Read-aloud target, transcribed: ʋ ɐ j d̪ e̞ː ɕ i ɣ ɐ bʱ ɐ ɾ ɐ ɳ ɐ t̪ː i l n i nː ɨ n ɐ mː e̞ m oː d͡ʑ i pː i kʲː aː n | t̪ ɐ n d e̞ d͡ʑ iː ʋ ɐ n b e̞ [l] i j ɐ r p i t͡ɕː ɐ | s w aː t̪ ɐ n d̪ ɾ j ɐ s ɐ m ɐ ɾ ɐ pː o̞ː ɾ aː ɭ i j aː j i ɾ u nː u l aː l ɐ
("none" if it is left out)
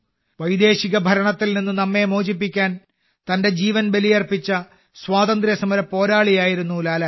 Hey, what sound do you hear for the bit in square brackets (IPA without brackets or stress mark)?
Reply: l